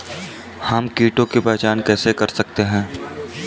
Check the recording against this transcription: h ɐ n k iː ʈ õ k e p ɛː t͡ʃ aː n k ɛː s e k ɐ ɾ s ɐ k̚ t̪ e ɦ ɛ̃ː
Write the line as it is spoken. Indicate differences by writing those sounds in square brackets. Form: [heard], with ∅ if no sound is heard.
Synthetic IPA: h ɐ [m] k iː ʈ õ k e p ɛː t͡ʃ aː n k ɛː s e k ɐ ɾ s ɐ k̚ t̪ e ɦ ɛ̃ː